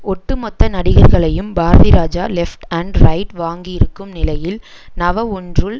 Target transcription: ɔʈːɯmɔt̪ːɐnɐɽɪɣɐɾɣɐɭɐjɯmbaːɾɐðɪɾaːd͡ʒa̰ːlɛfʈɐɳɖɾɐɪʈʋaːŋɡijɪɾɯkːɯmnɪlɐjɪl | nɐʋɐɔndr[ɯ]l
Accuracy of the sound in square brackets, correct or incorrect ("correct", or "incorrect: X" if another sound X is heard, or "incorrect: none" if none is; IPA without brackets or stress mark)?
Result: correct